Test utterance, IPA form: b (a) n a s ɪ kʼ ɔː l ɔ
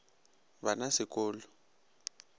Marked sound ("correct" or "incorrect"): correct